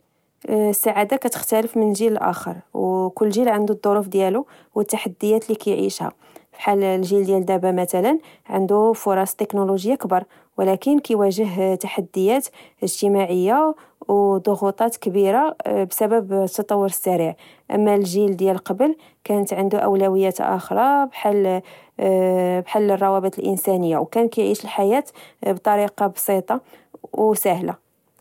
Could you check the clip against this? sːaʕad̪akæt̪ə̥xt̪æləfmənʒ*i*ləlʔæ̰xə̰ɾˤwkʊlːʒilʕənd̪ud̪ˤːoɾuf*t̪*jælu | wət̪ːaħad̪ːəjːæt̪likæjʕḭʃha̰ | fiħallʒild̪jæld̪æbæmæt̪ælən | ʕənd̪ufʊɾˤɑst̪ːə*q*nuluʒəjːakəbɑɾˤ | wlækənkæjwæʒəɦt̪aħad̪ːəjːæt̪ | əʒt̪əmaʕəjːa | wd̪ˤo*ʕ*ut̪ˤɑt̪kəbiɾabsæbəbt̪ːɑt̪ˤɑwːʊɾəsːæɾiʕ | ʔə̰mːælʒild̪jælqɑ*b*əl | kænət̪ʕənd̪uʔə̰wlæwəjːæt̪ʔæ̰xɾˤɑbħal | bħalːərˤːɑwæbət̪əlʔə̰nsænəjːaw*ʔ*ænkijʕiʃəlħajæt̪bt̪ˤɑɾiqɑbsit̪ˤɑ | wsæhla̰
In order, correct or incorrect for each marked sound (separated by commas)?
correct, incorrect, incorrect, incorrect, correct, incorrect